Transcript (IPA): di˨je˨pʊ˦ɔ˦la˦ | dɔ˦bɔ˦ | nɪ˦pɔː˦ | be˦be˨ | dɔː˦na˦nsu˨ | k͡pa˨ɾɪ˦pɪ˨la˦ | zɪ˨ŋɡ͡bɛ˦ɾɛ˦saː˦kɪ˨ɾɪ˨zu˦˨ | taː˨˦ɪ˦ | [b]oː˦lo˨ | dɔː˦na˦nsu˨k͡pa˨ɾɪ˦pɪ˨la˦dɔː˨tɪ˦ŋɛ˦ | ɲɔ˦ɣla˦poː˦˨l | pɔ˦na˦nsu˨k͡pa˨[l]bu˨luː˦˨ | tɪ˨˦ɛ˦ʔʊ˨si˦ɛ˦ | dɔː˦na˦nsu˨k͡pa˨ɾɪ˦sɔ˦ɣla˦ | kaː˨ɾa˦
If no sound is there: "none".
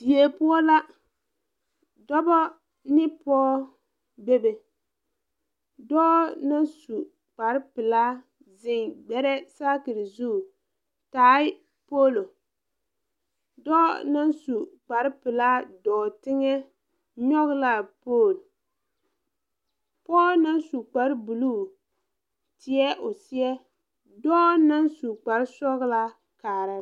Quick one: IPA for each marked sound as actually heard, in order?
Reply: p, ɾ

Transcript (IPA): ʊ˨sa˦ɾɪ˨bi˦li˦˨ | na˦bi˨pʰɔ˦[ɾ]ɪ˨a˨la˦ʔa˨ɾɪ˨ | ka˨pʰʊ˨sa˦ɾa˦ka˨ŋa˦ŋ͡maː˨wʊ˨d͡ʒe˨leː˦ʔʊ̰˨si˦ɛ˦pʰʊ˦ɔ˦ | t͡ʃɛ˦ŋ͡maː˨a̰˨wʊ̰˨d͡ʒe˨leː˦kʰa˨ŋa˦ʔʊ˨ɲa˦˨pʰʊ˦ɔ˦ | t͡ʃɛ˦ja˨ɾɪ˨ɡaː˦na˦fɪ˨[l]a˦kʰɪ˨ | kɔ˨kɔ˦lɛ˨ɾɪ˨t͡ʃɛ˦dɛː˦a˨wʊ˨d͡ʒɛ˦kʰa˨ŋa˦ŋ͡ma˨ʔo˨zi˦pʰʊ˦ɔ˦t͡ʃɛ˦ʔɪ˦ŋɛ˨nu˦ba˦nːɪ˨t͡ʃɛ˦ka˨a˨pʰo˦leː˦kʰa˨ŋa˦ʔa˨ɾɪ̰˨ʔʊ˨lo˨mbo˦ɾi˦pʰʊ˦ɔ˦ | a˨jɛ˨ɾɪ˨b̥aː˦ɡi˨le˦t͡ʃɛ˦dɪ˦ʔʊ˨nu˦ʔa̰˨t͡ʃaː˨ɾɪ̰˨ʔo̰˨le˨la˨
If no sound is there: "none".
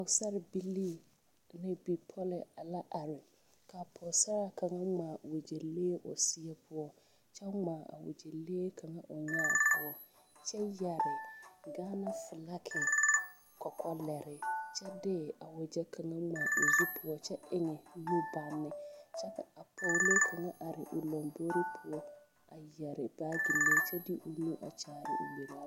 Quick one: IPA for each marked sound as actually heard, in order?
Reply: l, l

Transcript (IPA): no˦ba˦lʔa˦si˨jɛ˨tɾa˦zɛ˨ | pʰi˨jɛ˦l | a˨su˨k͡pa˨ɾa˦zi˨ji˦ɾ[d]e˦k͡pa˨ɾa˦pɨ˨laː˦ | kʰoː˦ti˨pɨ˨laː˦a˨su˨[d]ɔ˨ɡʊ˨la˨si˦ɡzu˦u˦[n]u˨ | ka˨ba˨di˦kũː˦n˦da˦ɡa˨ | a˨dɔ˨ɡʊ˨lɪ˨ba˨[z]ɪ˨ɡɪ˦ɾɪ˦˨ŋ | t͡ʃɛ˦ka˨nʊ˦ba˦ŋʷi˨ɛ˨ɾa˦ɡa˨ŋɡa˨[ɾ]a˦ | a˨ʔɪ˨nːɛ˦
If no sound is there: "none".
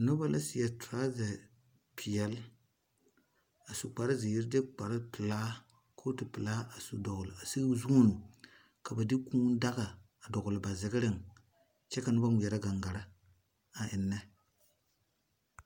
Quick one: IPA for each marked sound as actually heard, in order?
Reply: d, d, n, z, ɾ

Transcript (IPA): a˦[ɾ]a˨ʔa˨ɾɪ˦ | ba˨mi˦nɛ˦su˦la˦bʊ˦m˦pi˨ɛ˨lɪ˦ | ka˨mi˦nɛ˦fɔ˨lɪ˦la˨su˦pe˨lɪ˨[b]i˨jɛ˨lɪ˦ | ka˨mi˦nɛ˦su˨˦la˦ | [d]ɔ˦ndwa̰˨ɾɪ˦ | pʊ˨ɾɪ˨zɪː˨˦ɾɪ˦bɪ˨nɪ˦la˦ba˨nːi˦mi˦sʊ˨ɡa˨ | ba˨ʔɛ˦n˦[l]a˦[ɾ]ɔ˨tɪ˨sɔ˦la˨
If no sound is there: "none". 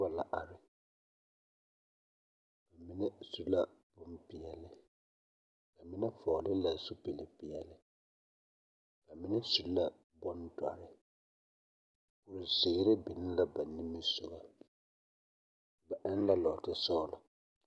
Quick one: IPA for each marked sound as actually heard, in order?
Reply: l, p, b, l, l

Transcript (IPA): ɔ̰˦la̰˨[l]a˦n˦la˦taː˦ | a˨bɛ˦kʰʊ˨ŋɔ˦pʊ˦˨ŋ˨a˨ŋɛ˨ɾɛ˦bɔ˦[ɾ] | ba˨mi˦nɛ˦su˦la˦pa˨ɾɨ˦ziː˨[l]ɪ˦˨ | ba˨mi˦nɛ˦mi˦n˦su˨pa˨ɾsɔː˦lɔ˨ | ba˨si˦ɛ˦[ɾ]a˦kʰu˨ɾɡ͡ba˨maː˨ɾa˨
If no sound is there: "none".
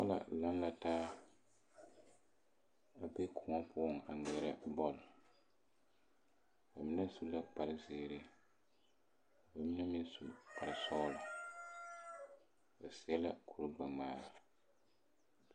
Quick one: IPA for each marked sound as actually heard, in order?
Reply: l, l, ɾ, l

